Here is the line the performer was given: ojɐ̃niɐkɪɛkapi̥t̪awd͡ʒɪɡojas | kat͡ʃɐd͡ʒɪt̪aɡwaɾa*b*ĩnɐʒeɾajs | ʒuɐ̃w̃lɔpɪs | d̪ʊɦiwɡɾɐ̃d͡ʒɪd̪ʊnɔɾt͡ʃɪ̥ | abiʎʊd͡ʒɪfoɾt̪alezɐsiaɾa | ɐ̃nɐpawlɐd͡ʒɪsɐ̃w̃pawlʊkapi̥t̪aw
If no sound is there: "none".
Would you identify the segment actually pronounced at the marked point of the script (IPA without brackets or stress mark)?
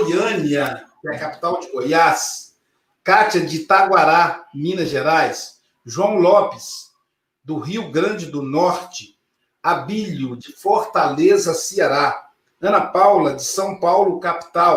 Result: m